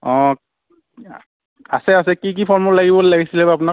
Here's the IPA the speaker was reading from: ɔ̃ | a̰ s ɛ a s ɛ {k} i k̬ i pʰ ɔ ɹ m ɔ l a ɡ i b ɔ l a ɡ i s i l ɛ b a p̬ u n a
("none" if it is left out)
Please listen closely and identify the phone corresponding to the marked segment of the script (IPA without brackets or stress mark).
k